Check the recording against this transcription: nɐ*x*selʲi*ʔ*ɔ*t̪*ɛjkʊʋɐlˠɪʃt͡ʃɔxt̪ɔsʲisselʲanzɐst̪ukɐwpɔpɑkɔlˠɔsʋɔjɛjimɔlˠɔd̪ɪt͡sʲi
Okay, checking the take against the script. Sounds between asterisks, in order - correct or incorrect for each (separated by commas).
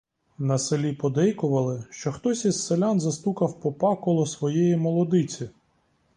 incorrect, incorrect, incorrect